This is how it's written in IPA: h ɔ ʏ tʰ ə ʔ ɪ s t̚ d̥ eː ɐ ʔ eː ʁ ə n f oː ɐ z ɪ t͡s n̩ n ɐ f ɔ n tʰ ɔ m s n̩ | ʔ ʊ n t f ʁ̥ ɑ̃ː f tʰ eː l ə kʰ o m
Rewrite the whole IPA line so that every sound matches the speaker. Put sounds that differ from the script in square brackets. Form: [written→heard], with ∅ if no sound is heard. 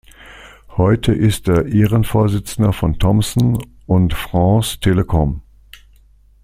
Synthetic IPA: h ɔ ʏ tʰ ə ʔ ɪ s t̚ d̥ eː ɐ ʔ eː ʁ ə n f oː ɐ z ɪ t͡s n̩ [n→d] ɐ f ɔ n tʰ ɔ m s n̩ | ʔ ʊ n t f ʁ̥ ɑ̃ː [f→s] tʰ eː l ə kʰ [o→ɔ] m

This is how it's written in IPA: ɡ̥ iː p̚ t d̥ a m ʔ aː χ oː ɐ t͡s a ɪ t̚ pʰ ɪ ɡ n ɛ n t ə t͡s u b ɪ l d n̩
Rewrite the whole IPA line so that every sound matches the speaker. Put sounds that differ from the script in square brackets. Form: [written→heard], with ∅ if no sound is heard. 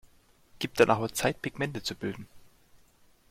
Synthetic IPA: ɡ̥ iː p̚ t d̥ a [m→n] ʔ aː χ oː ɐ t͡s a ɪ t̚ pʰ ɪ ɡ [n→m] ɛ n t ə t͡s u b ɪ l d n̩

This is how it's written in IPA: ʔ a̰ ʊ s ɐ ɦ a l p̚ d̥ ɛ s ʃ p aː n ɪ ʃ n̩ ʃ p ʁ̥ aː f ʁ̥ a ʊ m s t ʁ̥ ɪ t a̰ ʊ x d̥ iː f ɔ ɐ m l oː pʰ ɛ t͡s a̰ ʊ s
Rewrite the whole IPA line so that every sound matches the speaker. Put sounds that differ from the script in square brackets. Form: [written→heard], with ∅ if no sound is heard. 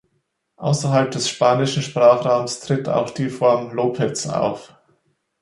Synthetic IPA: ʔ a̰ ʊ s ɐ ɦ a l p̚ d̥ ɛ s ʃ p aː n ɪ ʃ n̩ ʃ p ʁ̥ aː [f→χ] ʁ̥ a ʊ m s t ʁ̥ ɪ t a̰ ʊ x d̥ iː f ɔ ɐ m l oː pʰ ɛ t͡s a̰ ʊ [s→f]

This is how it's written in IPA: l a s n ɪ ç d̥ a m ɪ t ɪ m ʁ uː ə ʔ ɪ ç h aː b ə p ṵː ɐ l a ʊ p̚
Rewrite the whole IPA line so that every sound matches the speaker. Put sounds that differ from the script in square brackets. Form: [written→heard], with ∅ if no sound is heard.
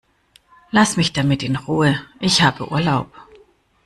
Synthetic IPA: l a s [n→m] ɪ ç d̥ a m ɪ t ɪ [m→n] ʁ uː ə ʔ ɪ ç h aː b ə [p→ʔ] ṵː ɐ l a ʊ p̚

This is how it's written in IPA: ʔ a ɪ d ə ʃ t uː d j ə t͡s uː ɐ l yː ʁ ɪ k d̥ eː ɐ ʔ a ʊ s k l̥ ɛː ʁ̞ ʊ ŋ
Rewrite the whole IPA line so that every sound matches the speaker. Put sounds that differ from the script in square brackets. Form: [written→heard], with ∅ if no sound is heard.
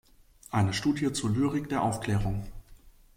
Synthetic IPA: ʔ a ɪ [d→n] ə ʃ t uː d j ə t͡s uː ɐ l yː ʁ ɪ k d̥ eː ɐ ʔ a ʊ [s→f] k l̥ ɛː ʁ̞ ʊ ŋ

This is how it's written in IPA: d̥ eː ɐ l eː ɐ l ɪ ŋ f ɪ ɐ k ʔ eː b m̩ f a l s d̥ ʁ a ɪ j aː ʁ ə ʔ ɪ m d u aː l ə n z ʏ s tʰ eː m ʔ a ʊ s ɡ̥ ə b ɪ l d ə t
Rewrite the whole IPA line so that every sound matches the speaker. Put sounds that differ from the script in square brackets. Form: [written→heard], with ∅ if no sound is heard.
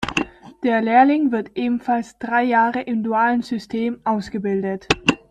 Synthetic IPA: d̥ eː ɐ l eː ɐ l ɪ ŋ [f→v] ɪ ɐ [k→t] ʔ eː b m̩ f a l s d̥ ʁ a ɪ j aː ʁ ə ʔ ɪ m d u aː l ə n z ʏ s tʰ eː m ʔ a ʊ s ɡ̥ ə b ɪ l d ə t

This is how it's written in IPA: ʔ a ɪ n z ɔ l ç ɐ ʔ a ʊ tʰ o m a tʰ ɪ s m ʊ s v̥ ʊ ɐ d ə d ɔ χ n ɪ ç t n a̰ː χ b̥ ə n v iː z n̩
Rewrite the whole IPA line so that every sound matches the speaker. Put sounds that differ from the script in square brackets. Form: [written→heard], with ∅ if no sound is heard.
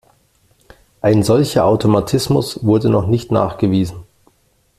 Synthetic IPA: ʔ a ɪ n z ɔ l ç ɐ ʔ a ʊ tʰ o m a tʰ ɪ s m ʊ s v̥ ʊ ɐ d ə [d→n] ɔ χ n ɪ ç t n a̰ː χ [b̥→ɡ̥] ə [n→∅] v iː z n̩

